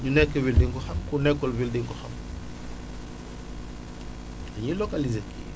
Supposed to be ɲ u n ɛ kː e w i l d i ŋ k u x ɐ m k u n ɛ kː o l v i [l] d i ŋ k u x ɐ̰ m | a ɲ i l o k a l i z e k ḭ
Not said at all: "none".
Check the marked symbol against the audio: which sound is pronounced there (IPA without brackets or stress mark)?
l